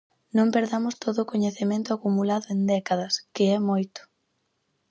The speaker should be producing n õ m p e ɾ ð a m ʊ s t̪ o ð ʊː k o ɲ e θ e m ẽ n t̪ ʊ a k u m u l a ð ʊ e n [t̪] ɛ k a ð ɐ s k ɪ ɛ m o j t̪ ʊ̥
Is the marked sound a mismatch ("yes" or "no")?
yes